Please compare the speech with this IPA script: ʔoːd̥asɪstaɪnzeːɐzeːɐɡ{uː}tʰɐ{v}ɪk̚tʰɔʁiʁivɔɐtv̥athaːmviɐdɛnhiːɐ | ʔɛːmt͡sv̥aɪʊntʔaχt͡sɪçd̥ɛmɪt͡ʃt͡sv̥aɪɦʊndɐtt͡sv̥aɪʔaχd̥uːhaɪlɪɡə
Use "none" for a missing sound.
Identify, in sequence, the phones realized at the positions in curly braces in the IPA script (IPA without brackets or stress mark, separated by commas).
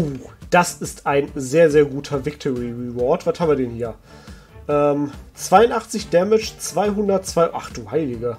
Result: uː, v